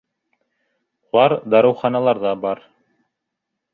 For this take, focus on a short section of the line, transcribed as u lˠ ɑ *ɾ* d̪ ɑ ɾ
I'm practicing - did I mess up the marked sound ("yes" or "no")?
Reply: no